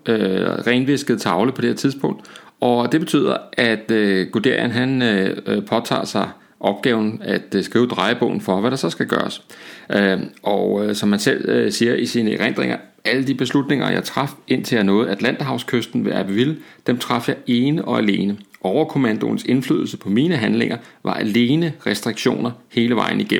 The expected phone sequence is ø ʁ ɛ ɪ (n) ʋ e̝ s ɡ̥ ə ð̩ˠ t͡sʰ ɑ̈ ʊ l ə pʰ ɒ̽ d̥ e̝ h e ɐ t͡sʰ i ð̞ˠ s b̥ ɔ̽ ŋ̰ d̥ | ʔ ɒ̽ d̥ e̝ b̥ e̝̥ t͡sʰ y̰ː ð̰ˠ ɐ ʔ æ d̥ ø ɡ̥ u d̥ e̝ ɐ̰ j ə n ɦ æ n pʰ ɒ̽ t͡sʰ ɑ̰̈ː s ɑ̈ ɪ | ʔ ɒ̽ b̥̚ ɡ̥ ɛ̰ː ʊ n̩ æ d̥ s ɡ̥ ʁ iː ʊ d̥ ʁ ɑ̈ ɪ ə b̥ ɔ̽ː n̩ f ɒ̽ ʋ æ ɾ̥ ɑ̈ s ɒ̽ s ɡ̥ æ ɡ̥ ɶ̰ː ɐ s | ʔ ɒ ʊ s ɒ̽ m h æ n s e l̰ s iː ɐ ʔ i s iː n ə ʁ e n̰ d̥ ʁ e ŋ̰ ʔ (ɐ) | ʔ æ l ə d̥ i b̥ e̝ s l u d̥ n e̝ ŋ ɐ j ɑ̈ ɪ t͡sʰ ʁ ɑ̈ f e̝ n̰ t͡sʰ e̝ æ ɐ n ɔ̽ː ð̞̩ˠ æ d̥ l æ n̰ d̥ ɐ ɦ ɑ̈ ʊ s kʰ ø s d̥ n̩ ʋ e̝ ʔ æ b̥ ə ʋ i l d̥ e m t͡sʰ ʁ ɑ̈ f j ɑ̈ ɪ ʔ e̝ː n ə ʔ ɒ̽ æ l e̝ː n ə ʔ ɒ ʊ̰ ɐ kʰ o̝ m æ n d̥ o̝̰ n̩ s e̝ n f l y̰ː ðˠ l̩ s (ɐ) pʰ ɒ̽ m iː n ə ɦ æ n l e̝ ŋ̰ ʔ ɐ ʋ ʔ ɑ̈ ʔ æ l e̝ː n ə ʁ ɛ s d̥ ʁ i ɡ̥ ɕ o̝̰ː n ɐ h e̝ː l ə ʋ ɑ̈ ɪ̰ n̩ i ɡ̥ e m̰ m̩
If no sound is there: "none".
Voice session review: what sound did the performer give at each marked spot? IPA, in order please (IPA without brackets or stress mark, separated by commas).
n, ɐ, ə